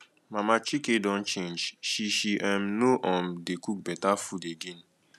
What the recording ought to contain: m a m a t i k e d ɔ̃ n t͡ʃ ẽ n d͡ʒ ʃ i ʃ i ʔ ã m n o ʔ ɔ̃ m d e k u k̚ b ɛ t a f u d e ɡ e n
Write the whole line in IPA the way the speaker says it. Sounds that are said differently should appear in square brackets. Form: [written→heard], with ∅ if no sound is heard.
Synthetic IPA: m a m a [t→t͡ʃ] i k e d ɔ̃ n t͡ʃ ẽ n d͡ʒ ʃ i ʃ i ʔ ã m n o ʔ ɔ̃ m d e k u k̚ b ɛ t a f u d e ɡ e n